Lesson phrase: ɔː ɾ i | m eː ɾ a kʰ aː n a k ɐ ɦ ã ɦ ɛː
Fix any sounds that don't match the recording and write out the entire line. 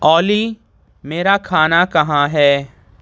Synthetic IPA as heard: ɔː l i | m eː ɾ a kʰ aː n a k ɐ ɦ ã ɦ ɛː